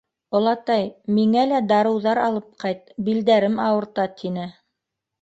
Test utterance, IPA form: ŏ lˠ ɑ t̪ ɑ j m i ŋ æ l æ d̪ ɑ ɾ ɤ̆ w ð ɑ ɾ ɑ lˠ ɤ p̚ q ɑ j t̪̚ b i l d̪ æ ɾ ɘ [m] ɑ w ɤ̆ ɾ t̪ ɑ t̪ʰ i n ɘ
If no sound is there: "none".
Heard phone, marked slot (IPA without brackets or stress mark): m